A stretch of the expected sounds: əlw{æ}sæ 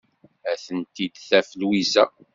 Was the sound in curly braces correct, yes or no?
no